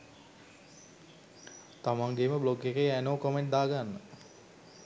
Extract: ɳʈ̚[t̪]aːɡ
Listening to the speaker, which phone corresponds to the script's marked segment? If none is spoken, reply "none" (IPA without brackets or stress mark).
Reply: d̪